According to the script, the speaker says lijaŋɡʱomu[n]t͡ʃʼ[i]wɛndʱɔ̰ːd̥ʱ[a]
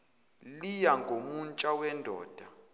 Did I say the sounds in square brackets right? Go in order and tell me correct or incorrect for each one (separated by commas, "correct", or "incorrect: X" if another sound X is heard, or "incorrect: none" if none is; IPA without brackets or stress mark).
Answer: correct, incorrect: a, correct